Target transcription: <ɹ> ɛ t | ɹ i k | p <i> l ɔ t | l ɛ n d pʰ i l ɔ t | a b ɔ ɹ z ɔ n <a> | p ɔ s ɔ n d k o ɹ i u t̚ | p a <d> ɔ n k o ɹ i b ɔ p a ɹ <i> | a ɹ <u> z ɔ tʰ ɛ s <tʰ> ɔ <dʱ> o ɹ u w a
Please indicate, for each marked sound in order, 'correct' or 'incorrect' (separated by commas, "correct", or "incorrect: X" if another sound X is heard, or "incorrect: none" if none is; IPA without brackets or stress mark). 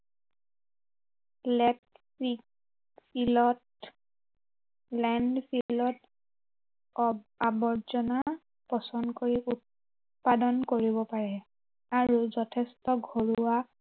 incorrect: l, correct, correct, correct, incorrect: ɛ, correct, incorrect: t, incorrect: ɡʱ